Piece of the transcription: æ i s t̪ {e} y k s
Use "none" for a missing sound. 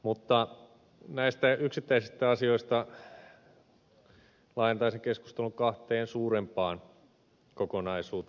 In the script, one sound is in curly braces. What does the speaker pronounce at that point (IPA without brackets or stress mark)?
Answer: æ